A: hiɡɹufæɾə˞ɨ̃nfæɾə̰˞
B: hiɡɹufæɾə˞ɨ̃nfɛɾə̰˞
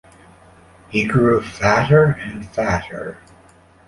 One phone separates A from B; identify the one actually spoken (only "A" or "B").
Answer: A